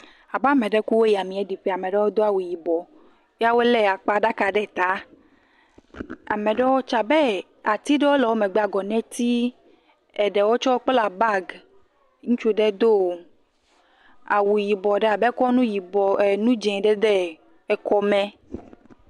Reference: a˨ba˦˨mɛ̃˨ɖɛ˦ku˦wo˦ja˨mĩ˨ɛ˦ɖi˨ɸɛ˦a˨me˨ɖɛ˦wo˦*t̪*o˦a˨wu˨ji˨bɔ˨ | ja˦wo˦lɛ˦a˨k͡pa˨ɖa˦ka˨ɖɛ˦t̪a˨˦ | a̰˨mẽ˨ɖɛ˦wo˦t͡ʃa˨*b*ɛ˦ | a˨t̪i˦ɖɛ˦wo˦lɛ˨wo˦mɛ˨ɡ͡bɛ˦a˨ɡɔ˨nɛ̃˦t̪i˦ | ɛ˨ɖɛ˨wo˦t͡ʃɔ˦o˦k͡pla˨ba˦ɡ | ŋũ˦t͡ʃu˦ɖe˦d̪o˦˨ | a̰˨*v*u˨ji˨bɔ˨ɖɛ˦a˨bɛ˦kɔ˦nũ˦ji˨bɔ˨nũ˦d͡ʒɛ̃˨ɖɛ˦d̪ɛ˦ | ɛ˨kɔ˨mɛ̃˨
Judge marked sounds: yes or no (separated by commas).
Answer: no, yes, no